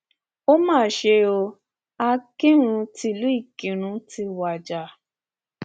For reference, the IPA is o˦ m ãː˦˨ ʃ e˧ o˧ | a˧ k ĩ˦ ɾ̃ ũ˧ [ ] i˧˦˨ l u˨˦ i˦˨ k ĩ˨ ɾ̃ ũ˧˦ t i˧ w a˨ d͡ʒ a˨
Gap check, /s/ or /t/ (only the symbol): t